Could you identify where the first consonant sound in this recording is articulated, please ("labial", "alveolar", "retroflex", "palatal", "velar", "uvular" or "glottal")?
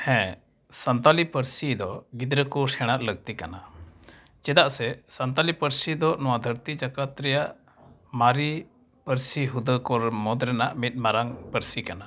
glottal